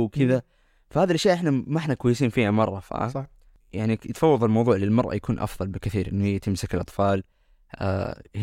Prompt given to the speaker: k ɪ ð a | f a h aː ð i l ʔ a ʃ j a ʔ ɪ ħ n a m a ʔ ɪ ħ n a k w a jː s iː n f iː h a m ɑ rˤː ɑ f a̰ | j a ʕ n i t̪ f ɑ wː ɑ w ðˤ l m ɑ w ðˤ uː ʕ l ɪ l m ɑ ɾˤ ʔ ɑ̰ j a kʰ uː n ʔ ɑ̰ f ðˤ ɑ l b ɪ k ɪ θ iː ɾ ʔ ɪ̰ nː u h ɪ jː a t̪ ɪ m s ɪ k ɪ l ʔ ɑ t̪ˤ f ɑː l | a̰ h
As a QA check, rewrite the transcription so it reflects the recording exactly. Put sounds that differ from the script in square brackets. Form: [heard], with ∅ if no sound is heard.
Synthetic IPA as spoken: k ɪ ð a | f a h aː ð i l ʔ a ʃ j a ʔ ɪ ħ n a m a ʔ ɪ ħ n a k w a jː s iː n f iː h a m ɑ rˤː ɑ f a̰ | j a ʕ n i t̪ f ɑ wː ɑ [∅] ðˤ l m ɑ w ðˤ uː ʕ l ɪ l m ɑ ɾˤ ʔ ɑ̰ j a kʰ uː n ʔ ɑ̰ f ðˤ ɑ l b ɪ k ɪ θ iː ɾ ʔ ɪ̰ nː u h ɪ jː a t̪ ɪ m s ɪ k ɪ l ʔ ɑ t̪ˤ f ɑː l | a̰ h